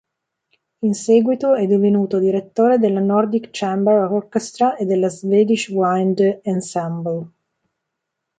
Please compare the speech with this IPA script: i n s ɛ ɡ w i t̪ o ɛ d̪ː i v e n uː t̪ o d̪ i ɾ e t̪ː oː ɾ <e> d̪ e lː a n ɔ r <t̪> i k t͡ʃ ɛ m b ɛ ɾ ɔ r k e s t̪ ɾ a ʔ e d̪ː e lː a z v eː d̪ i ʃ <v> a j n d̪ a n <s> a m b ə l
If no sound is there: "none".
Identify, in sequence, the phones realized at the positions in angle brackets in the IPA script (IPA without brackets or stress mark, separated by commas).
e, d̪, w, s